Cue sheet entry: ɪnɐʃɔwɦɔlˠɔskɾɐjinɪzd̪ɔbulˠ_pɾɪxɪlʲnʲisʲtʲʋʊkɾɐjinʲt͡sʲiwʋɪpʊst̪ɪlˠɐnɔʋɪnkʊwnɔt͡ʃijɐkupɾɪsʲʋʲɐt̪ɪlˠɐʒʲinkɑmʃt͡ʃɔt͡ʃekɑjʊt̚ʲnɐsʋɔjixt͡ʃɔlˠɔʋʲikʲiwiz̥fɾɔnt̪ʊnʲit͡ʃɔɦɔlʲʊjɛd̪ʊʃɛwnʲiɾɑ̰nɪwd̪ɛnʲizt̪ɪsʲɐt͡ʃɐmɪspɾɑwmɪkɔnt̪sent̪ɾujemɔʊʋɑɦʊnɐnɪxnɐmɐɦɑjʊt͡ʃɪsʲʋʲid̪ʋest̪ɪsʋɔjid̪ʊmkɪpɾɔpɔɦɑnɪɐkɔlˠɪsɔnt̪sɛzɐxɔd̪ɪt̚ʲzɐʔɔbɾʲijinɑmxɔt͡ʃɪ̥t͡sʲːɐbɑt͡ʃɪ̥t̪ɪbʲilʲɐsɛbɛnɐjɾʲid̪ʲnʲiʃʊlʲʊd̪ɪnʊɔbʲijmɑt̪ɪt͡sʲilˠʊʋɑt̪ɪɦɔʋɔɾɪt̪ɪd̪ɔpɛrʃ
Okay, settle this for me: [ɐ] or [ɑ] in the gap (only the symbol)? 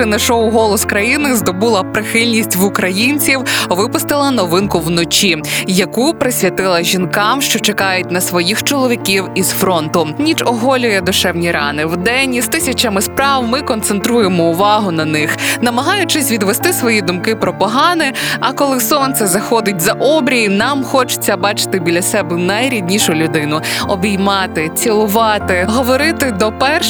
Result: ɐ